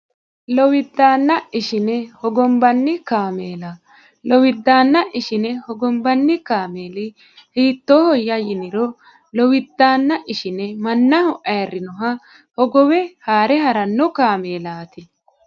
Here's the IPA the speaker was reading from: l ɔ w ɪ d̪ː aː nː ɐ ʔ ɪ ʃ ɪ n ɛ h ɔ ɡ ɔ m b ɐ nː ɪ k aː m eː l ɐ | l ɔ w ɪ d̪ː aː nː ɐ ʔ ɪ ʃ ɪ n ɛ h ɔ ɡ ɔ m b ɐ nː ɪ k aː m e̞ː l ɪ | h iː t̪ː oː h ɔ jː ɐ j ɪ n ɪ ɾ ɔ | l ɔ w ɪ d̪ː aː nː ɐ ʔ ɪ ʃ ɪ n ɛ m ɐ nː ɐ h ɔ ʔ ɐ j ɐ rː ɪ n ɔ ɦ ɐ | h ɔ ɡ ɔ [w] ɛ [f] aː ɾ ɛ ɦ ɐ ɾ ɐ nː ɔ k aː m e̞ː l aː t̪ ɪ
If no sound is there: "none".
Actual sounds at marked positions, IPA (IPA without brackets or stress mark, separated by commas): w, h